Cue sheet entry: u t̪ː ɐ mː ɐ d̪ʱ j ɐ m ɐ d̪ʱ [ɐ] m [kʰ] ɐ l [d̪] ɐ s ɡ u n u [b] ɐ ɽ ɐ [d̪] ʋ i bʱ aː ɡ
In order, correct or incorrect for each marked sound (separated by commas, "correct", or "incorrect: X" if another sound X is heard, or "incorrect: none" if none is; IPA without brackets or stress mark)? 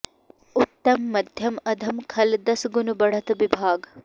correct, correct, correct, correct, incorrect: t̪